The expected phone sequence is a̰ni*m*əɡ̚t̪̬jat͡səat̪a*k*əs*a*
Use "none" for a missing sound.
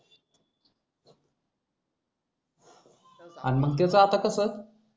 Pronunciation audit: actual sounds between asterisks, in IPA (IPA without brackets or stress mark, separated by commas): m, k, ə